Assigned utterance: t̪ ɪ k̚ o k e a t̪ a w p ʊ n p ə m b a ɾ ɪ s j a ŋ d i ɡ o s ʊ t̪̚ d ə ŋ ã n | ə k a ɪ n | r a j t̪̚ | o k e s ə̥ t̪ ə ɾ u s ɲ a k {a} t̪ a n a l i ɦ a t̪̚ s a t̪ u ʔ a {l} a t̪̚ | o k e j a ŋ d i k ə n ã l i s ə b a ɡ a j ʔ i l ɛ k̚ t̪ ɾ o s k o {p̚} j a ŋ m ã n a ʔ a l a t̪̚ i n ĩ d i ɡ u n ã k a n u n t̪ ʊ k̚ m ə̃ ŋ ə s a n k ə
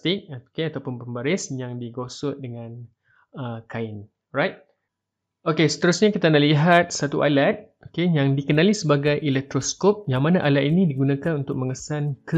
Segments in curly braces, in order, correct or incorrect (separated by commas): incorrect, correct, correct